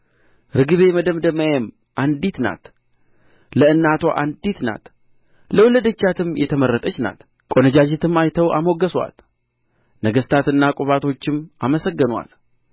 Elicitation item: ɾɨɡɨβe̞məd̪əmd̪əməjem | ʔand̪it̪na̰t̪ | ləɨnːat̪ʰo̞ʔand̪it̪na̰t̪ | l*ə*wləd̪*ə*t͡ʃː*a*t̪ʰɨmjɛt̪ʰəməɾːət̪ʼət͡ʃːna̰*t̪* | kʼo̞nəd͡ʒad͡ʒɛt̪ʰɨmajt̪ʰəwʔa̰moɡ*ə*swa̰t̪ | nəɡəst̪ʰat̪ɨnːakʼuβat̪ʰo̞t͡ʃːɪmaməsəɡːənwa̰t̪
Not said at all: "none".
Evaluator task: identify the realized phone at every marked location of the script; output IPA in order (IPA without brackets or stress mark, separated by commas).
ə, ə, a, t̪, ə